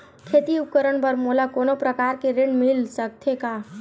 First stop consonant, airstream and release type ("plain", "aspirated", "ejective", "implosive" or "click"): aspirated